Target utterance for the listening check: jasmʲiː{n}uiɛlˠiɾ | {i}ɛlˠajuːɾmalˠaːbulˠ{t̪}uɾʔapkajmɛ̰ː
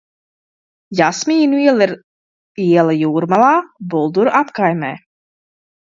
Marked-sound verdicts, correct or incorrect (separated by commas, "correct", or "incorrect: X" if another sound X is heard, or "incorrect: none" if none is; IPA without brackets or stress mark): correct, correct, incorrect: d̪